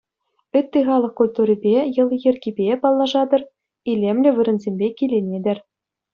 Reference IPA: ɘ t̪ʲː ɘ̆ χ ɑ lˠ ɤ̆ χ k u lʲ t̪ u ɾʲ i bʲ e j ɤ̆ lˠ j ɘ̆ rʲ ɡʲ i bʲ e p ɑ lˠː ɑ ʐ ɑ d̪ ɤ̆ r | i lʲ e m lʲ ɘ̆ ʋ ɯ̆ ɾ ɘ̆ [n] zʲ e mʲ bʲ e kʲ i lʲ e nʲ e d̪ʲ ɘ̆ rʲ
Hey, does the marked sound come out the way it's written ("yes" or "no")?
yes